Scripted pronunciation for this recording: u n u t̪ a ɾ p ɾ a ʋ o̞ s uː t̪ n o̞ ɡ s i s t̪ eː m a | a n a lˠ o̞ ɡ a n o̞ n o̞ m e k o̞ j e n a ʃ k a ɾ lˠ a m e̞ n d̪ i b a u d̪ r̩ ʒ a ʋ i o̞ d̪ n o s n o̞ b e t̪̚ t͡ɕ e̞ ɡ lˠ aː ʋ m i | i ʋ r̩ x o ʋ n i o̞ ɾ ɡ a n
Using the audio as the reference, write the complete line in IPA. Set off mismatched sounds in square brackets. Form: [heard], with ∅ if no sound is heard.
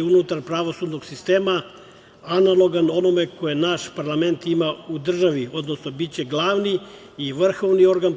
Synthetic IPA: u n u t̪ a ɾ p ɾ a ʋ o̞ s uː [d̪] n o̞ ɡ s i s t̪ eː m a | a n a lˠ o̞ ɡ a n o̞ n o̞ m e k o̞ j e n a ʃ [p] a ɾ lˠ a m e̞ n [t̪] i [m] a u d̪ r̩ ʒ a ʋ i o̞ d̪ n o s n o̞ b [i] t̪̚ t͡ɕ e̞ ɡ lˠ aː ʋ [n] i | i ʋ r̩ x o ʋ n i o̞ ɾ ɡ a n